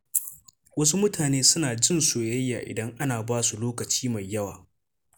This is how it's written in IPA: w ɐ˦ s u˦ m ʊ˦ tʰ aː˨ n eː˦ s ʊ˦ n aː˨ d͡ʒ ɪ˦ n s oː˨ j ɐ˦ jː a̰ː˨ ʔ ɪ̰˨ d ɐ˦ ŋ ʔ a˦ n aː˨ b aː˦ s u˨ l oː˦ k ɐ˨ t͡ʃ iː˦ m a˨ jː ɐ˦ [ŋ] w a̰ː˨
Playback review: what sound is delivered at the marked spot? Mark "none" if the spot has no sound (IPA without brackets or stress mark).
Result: none